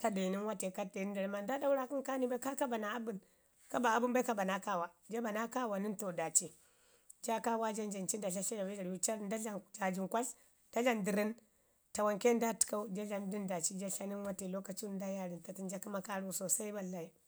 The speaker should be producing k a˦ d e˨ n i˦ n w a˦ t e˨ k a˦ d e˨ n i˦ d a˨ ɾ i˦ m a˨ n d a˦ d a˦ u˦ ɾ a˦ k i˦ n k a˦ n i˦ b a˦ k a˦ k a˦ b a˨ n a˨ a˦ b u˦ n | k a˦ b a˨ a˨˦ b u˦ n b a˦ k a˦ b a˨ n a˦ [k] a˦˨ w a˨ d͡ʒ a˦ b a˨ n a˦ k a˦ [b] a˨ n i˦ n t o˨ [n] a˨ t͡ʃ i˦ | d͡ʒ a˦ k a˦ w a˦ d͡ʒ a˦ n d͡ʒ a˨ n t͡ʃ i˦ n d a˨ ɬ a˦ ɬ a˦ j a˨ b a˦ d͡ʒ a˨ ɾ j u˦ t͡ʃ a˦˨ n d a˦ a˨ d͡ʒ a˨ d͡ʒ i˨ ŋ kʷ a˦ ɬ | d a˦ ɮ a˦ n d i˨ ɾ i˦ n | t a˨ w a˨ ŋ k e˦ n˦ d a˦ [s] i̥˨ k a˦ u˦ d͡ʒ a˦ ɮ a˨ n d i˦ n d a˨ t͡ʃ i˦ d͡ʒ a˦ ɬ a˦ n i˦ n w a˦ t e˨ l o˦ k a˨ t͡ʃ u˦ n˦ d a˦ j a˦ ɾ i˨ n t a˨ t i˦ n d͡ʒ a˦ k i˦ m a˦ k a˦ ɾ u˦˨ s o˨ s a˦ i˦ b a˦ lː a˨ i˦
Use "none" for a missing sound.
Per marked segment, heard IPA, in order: k, w, d, t

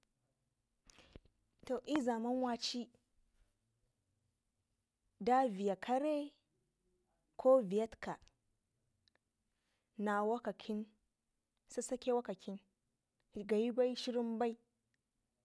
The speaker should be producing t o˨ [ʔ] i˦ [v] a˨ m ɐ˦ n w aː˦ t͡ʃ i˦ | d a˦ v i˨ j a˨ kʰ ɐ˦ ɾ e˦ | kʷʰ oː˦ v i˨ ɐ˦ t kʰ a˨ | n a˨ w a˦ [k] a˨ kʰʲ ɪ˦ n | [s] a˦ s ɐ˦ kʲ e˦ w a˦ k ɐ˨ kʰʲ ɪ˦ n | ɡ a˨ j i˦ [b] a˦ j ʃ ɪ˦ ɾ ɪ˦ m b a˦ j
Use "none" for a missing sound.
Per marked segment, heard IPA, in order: ʔ, z, k, s, b

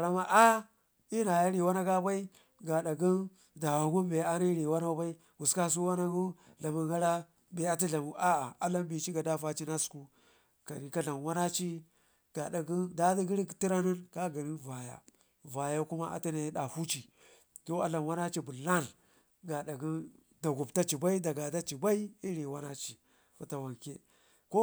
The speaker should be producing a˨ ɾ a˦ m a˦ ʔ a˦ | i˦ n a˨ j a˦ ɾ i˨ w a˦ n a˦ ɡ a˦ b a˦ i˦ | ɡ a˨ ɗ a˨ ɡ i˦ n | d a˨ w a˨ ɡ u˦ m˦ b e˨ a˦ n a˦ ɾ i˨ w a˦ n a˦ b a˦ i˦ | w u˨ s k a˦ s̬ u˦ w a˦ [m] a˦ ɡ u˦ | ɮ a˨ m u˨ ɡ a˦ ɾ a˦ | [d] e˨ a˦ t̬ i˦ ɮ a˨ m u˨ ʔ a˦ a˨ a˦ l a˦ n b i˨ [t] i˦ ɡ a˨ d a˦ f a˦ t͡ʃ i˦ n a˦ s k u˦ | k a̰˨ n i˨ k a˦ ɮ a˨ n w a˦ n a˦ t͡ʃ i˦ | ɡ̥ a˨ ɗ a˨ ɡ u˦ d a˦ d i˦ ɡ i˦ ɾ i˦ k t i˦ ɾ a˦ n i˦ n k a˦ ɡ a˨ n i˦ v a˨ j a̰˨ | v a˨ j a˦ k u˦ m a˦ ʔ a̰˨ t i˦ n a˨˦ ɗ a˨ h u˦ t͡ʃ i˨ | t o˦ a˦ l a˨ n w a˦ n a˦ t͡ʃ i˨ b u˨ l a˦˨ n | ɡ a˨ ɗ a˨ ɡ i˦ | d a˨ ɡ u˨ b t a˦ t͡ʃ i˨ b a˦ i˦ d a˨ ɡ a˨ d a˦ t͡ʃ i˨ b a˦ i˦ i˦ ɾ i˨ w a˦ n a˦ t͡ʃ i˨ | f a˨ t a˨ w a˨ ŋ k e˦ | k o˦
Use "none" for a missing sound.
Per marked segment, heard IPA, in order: n, b, t͡ʃ

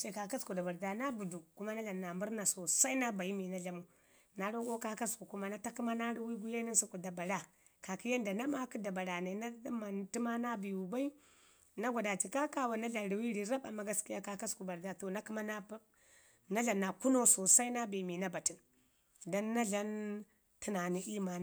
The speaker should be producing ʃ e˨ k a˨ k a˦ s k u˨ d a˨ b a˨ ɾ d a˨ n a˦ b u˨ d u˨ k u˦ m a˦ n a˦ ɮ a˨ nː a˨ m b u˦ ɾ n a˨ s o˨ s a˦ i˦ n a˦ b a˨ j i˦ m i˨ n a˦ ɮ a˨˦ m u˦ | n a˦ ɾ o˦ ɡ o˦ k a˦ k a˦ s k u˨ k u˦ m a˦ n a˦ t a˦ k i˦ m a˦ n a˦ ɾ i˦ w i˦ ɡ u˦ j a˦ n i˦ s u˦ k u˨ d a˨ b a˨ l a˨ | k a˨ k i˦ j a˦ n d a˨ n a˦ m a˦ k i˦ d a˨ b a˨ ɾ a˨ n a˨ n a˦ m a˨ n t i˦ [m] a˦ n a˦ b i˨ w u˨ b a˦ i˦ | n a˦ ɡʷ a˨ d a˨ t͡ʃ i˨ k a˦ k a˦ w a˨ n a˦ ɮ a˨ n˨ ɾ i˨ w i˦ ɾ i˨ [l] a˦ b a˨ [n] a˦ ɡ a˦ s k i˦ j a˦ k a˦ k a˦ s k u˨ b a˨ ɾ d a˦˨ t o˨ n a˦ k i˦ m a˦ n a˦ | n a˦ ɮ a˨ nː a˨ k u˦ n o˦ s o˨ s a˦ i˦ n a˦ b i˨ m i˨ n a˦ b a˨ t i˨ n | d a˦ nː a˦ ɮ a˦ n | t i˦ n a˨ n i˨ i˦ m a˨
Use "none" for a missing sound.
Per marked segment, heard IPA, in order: m, ɾ, m

